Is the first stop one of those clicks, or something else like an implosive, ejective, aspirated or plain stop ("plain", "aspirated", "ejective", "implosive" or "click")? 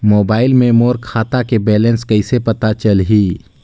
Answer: plain